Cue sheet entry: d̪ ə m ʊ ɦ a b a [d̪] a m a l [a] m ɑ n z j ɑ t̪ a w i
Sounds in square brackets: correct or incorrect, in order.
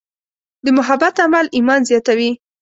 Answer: incorrect, incorrect

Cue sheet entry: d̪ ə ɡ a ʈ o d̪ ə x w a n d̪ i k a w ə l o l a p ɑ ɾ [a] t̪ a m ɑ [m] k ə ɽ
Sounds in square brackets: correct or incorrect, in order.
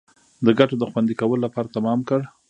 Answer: correct, correct

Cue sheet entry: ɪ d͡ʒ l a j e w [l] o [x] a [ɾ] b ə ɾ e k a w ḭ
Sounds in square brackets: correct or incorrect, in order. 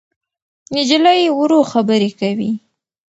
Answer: incorrect, correct, incorrect

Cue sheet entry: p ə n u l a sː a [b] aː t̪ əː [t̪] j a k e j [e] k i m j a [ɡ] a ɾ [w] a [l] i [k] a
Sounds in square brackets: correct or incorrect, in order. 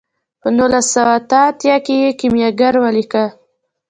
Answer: incorrect, correct, correct, correct, correct, correct, correct

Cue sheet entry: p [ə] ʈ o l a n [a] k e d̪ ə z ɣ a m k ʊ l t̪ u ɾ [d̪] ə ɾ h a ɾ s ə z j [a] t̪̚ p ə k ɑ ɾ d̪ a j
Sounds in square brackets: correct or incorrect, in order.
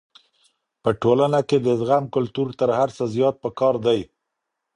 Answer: correct, correct, incorrect, incorrect

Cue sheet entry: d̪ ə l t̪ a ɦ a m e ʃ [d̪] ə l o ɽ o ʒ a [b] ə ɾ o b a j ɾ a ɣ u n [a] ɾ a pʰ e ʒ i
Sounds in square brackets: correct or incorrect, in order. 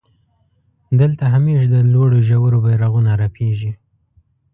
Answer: correct, incorrect, correct

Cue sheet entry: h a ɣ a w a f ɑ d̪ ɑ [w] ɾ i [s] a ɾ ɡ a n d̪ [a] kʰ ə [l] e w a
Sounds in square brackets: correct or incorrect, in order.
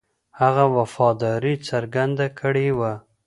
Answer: incorrect, incorrect, correct, incorrect

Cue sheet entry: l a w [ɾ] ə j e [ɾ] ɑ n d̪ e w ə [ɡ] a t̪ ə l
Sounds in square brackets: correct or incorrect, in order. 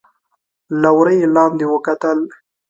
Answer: correct, incorrect, incorrect

